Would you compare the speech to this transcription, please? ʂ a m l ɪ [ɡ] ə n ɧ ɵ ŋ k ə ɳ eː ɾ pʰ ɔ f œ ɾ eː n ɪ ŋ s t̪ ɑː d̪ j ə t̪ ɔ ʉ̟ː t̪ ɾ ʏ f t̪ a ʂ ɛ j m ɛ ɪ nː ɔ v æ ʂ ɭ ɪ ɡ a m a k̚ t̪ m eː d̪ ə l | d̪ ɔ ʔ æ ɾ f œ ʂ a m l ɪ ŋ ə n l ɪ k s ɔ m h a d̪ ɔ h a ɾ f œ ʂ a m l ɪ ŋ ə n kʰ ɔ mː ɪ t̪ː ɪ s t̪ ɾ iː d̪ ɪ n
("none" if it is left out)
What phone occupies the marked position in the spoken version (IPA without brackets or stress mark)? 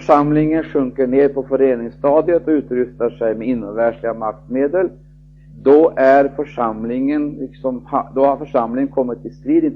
ŋ